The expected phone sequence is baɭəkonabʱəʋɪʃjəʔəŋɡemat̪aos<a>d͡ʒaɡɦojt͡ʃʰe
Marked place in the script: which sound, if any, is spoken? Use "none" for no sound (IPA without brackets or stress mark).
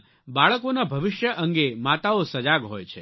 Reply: ə